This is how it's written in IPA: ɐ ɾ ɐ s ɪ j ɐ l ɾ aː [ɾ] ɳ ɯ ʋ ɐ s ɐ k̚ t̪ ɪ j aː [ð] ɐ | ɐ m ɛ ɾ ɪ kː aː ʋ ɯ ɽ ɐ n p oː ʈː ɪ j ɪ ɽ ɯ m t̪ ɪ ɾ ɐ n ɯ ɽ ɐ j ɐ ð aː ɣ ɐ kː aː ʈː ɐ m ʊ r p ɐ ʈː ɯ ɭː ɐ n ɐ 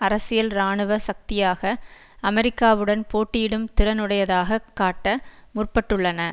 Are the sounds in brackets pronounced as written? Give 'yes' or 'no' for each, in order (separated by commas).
no, no